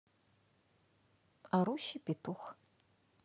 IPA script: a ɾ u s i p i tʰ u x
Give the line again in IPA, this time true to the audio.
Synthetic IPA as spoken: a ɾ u ʃ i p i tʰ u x